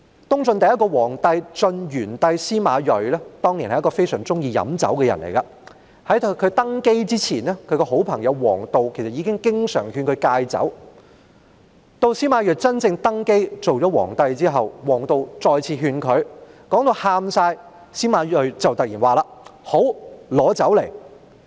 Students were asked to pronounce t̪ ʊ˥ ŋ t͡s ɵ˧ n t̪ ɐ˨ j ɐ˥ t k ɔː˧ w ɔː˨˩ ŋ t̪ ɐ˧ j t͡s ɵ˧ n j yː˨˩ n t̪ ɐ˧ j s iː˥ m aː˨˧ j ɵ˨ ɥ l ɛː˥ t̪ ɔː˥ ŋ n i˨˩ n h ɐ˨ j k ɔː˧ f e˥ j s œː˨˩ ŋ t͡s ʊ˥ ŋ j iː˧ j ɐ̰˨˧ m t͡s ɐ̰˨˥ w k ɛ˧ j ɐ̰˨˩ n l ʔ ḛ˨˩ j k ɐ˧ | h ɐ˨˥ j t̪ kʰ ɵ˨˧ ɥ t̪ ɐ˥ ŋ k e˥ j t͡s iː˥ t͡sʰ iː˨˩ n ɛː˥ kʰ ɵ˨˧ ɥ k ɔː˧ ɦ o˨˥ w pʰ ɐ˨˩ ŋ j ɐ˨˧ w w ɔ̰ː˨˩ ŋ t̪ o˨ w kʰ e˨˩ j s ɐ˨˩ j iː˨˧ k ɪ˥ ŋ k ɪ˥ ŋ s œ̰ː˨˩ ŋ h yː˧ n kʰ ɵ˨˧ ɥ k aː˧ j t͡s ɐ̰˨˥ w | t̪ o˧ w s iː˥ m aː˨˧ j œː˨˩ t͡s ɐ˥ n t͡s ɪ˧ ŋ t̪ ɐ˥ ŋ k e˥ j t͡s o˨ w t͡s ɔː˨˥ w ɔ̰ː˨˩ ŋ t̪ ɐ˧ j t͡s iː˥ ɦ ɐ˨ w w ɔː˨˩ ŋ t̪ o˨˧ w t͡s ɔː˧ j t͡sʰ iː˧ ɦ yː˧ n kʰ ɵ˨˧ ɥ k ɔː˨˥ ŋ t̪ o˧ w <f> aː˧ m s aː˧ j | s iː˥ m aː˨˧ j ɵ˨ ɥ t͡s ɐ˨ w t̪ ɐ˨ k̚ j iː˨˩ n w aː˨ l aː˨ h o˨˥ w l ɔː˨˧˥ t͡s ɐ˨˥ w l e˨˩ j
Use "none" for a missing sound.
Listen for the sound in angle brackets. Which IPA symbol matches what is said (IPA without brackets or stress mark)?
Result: h